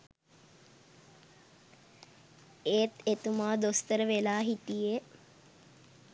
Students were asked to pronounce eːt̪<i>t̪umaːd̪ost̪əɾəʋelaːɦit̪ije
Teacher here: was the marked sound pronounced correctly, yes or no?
no